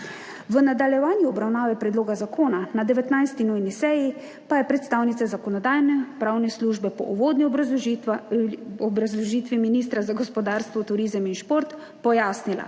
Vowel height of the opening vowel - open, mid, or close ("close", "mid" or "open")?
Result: mid